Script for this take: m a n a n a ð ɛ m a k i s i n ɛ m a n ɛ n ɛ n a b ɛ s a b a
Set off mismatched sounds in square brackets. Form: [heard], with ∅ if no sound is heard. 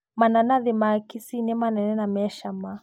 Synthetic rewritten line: m a n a n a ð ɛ m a k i s i n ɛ m a n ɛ n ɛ n a [m] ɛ [ʃ] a [m] a